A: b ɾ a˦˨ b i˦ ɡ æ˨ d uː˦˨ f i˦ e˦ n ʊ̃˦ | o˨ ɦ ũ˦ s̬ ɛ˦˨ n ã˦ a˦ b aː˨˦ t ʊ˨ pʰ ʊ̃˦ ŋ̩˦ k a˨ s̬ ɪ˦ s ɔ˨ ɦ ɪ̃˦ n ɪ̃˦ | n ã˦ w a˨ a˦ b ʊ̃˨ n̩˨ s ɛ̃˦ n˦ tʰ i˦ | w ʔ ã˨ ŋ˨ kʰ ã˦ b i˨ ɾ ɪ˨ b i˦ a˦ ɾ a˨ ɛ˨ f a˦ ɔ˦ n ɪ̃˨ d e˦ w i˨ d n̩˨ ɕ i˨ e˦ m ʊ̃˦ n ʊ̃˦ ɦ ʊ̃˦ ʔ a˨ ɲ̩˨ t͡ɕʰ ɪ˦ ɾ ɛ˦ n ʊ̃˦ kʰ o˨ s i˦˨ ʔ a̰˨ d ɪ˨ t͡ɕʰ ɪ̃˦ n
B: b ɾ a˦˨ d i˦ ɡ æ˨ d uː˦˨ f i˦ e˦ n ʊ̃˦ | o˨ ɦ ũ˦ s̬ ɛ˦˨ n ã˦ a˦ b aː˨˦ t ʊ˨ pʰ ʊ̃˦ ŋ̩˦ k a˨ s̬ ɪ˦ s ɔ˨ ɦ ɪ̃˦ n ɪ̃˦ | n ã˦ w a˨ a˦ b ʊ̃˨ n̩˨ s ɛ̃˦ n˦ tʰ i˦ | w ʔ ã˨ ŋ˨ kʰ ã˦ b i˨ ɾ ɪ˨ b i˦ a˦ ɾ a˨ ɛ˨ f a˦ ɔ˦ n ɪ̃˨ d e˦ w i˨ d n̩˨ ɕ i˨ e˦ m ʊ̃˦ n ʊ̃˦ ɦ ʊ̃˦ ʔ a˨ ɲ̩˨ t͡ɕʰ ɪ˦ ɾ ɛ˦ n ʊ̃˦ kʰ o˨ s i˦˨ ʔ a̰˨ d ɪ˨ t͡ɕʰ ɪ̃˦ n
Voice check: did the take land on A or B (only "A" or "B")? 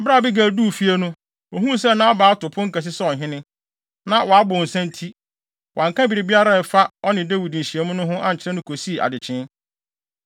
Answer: A